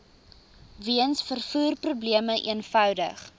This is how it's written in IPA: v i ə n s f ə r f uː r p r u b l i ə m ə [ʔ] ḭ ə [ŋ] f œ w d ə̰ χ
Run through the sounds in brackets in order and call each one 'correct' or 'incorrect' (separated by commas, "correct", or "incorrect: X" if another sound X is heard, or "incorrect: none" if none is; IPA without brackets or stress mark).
correct, incorrect: n